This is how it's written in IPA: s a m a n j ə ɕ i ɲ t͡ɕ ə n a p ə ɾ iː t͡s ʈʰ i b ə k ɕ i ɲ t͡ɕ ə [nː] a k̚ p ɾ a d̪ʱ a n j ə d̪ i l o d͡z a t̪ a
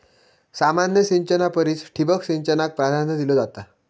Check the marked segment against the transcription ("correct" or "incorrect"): incorrect